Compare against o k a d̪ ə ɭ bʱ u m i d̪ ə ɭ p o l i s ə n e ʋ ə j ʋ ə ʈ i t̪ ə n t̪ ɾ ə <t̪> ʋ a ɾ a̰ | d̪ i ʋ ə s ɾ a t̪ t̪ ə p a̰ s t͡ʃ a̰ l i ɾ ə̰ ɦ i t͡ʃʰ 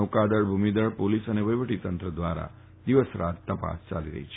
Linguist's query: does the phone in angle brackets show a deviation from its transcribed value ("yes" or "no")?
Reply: yes